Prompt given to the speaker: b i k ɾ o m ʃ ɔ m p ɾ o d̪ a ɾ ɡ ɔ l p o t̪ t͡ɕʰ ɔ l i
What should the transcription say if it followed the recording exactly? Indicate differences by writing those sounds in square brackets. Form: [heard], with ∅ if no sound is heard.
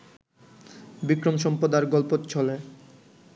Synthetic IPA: b i k ɾ o m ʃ ɔ m p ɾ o d̪ a ɾ ɡ ɔ l p o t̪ t͡ɕʰ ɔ l [e]

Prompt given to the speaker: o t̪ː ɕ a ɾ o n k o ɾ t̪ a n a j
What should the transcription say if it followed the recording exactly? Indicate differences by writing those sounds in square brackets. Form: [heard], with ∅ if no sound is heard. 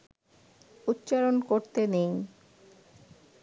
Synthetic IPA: [u] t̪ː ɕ a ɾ o n k o ɾ t̪ [e] n [e] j

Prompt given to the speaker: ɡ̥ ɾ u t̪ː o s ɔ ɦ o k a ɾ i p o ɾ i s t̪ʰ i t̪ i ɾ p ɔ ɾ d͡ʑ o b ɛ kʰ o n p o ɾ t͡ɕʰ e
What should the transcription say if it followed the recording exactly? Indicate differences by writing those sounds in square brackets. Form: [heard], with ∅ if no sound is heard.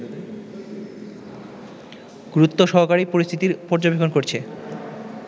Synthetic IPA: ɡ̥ ɾ u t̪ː o [ʃ] ɔ ɦ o k a ɾ i p o ɾ i s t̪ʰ i t̪ i ɾ p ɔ ɾ d͡ʑ o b [e] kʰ o n [k] o ɾ t͡ɕʰ e

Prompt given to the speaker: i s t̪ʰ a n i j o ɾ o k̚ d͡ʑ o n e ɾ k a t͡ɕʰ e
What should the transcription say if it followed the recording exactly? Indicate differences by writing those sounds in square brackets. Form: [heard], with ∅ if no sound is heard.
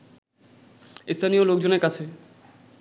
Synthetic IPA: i s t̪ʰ a n i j o [l] o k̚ d͡ʑ o n e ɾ k a t͡ɕʰ e

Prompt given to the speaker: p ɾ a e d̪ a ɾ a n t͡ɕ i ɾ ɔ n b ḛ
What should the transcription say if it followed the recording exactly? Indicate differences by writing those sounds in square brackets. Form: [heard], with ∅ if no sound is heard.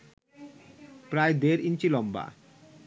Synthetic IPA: p ɾ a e d̪ [e] ɾ [i] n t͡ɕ i [l] ɔ [m] b [a̰]

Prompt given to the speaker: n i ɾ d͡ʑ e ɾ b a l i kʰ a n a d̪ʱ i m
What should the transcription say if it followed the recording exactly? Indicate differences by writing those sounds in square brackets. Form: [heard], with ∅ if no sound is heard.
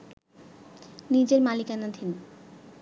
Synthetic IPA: n i [∅] d͡ʑ e ɾ [m] a l i [k] a n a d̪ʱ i [n]

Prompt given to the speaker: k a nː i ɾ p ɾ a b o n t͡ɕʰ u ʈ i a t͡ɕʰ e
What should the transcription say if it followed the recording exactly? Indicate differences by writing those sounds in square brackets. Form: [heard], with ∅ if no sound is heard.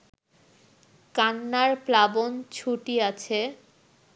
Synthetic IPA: k a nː [a] ɾ p [l] a b o n t͡ɕʰ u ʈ i a t͡ɕʰ e

